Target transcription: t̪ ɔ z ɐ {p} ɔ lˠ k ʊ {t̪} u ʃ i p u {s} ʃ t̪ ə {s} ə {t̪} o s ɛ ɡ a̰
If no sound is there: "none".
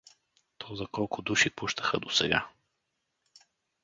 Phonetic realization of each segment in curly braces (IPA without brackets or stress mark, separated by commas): k, d̪, none, x, d̪